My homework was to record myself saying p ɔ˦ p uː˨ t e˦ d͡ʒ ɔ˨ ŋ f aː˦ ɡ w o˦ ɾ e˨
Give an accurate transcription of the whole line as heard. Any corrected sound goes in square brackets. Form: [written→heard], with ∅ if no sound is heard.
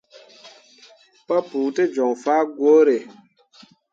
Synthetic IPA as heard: p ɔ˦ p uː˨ t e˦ d͡ʒ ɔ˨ ŋ f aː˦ ɡ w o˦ ɾ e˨